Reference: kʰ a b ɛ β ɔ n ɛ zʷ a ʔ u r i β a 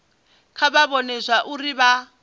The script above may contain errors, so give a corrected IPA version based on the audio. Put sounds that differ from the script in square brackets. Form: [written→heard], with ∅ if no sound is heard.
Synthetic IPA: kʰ a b [ɛ→a] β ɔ n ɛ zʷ a ʔ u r i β a